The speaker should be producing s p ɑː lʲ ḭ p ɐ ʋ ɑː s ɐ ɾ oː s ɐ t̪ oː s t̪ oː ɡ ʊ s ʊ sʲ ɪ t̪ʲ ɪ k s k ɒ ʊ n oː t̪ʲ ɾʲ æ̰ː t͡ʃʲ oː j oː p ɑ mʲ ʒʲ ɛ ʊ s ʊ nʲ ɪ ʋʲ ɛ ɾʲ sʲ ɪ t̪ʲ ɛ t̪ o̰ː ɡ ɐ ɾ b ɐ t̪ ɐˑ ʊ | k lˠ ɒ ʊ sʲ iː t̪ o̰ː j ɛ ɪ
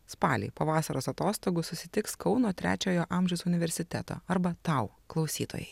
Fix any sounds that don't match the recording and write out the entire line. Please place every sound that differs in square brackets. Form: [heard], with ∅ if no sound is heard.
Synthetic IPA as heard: s p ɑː lʲ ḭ p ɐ ʋ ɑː s ɐ ɾ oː s ɐ t̪ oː s t̪ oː ɡ ʊ s ʊ sʲ ɪ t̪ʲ ɪ k s k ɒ ʊ n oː t̪ʲ ɾʲ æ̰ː t͡ʃʲ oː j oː [ʔ] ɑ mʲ ʒʲ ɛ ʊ s ʊ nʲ ɪ ʋʲ ɛ ɾʲ sʲ ɪ t̪ʲ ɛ t̪ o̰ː [∅] ɐ ɾ b ɐ t̪ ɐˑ ʊ | k lˠ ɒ ʊ sʲ iː t̪ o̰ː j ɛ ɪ